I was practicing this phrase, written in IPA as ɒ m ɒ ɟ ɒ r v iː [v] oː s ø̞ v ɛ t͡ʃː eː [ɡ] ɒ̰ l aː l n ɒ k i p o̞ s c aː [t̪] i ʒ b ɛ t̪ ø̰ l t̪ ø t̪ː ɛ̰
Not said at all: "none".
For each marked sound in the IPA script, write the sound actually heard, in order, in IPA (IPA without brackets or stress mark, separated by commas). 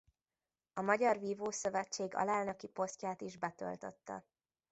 v, ɡ, t̪